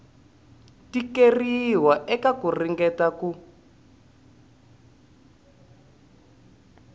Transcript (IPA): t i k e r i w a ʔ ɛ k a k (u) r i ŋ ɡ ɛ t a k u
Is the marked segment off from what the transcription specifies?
no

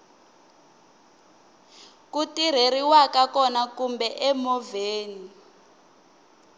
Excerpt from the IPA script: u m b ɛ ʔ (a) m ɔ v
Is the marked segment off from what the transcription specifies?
yes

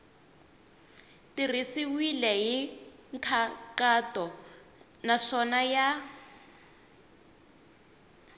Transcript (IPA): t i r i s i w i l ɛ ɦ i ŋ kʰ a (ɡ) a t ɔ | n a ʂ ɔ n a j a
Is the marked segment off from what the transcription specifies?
yes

